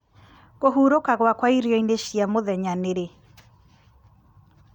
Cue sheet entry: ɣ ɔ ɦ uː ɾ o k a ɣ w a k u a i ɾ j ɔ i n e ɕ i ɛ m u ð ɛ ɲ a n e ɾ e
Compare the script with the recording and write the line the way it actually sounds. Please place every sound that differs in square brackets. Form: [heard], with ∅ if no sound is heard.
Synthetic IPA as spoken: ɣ [o] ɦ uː ɾ o k a ɣ w a k [w] a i ɾ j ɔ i n e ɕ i [a] m [o] ð ɛ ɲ a n e ɾ e